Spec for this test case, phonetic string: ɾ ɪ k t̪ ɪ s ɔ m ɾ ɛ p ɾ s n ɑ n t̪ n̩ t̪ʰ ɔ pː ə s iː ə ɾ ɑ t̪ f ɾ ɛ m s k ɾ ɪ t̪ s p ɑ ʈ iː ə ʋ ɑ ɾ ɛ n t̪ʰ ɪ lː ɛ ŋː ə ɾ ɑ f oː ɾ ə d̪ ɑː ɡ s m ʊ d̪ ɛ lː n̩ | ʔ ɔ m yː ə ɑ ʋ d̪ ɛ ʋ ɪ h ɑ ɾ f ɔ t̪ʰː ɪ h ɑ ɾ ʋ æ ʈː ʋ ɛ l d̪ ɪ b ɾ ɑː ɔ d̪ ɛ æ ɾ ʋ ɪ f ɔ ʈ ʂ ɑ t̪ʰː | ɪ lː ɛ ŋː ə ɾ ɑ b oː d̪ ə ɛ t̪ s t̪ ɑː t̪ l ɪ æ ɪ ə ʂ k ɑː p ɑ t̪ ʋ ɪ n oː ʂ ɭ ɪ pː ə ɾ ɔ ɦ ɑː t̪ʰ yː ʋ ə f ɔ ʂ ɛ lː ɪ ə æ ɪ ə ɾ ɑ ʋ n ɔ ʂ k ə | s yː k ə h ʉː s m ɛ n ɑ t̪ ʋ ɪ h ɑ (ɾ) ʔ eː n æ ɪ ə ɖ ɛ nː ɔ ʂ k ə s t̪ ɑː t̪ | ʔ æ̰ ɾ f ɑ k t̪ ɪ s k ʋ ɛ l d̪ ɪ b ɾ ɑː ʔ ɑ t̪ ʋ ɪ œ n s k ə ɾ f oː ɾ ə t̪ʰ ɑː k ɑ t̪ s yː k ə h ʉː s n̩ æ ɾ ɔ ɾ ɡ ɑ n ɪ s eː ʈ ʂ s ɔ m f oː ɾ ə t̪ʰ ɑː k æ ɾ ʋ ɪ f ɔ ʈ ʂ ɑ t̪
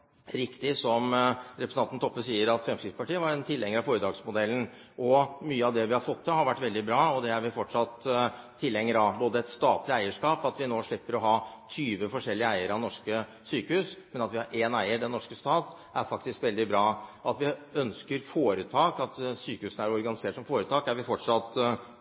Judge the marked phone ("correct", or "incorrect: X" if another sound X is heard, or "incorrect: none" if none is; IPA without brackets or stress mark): correct